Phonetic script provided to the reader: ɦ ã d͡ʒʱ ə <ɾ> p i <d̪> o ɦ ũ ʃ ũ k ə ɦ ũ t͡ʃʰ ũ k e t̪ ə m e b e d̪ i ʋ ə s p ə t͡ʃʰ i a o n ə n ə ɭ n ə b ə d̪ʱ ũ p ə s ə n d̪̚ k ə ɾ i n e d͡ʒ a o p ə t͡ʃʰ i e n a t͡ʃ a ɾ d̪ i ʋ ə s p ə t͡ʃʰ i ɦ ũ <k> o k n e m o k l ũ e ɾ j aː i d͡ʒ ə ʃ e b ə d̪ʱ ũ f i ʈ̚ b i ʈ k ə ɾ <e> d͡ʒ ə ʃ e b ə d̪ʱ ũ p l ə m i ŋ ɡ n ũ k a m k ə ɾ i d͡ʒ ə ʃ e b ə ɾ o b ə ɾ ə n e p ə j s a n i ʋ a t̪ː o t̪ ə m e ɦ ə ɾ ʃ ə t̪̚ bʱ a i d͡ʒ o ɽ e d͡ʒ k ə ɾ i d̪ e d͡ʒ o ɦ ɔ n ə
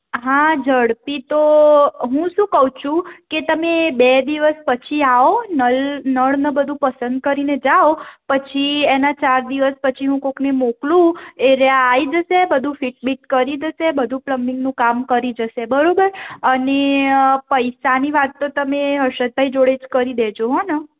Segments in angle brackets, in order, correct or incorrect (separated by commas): incorrect, incorrect, correct, incorrect